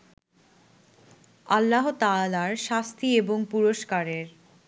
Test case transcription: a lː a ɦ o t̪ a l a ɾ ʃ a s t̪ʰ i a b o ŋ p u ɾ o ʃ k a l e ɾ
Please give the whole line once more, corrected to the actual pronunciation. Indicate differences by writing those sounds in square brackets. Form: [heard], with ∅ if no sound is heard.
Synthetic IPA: a lː a ɦ o t̪ a l a ɾ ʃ a s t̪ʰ i [e] b o ŋ p u ɾ o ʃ k a [ɾ] e ɾ